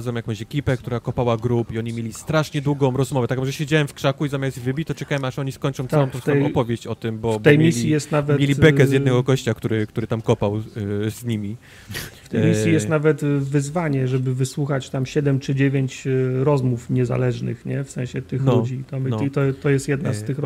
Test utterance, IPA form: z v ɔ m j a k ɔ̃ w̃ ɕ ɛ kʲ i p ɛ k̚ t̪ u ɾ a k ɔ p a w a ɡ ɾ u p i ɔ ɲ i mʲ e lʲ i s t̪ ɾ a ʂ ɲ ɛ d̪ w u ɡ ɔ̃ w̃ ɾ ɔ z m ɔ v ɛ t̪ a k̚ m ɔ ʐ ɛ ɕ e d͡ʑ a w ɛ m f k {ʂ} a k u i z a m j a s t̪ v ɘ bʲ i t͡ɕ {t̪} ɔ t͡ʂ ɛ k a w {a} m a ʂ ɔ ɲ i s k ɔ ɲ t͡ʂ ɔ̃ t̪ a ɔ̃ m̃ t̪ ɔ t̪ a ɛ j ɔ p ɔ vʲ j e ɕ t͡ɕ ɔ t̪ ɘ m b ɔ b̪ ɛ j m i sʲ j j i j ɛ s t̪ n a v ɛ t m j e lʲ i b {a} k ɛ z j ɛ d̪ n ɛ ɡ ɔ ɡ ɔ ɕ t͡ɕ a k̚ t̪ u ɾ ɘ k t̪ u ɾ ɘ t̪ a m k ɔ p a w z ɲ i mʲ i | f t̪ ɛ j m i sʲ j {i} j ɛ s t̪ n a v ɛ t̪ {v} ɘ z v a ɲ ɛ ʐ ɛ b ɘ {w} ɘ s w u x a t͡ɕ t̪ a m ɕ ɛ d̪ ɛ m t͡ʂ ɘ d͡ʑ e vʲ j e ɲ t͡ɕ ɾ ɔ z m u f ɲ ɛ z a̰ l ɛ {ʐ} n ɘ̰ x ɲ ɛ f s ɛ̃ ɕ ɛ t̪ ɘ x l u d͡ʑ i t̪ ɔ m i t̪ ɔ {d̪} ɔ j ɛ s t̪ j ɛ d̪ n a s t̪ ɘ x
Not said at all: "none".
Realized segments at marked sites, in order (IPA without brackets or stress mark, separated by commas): ʂ, t̪, ɛ, ɛ, i, v, v, ʐ, t̪